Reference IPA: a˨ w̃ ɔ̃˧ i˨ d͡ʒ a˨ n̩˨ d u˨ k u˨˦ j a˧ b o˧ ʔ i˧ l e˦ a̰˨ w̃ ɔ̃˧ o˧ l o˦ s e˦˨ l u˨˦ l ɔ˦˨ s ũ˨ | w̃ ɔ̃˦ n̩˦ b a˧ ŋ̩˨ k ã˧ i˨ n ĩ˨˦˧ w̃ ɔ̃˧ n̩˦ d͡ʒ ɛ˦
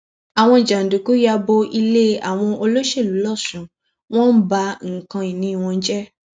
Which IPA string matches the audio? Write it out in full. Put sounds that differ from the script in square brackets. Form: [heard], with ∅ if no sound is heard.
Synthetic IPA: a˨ w̃ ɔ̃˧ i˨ d͡ʒ a˨ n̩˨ d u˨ k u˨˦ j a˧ b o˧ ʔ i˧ l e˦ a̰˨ w̃ ɔ̃˧ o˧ l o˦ [ʃ] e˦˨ l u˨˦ l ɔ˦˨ s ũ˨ | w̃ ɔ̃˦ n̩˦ b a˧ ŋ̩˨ k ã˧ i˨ n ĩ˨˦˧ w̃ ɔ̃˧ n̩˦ d͡ʒ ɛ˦